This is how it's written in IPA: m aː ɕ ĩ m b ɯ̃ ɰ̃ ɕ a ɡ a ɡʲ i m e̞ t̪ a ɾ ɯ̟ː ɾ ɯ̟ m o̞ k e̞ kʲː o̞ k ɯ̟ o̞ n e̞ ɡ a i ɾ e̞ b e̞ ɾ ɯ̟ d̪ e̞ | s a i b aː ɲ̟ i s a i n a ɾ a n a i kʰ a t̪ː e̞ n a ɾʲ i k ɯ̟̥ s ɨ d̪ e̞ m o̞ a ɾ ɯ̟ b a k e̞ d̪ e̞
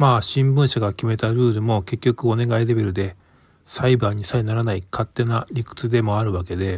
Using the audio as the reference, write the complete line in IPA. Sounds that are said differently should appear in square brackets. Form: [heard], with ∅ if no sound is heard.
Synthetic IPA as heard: m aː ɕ ĩ m b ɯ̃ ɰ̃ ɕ a ɡ a [kʲ] i m e̞ t̪ a ɾ ɯ̟ː ɾ ɯ̟ m o̞ k e̞ kʲː o̞ k ɯ̟ o̞ n e̞ ɡ a i ɾ e̞ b e̞ ɾ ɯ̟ d̪ e̞ | s a i b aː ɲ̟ i s a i n a ɾ a n a i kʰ a t̪ː e̞ n a ɾʲ i k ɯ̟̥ [t͡s] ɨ d̪ e̞ m o̞ a ɾ ɯ̟ [β] a k e̞ d̪ e̞